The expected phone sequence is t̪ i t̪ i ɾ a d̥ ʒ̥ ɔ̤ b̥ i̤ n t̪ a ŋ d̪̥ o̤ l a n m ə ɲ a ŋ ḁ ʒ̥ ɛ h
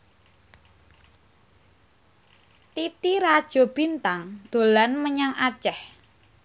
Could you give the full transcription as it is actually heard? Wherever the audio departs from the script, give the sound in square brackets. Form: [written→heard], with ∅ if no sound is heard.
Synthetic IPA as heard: t̪ i t̪ i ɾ a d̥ ʒ̥ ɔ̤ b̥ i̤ n t̪ a ŋ d̪̥ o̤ l a n m ə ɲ a ŋ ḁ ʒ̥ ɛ h